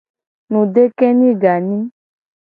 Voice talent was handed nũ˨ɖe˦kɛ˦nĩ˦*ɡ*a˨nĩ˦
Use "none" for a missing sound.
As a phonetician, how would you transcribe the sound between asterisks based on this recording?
ɡ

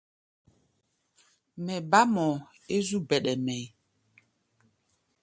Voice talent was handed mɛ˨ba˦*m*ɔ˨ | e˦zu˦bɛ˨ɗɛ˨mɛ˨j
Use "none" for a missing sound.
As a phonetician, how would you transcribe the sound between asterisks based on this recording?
m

